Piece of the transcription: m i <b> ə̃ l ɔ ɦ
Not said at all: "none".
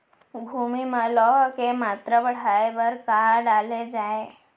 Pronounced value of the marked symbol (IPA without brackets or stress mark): m